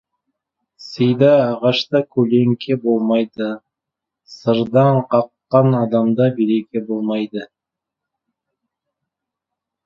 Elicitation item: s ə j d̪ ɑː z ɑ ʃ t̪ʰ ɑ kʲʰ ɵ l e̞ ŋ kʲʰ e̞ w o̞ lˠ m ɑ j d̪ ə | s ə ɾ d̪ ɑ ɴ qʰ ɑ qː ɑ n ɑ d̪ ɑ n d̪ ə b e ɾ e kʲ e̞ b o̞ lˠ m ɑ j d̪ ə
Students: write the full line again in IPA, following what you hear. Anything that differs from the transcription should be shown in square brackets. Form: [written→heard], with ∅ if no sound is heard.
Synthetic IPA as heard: s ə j d̪ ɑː [z→ʁ] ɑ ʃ [t̪ʰ→t̪] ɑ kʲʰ ɵ l e̞ ŋ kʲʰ e̞ [w→b] o̞ lˠ m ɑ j d̪ ə | s ə ɾ d̪ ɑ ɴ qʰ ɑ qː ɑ n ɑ d̪ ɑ [n→m] d̪ [ə→ɑ] b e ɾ e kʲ e̞ b o̞ lˠ m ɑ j d̪ ə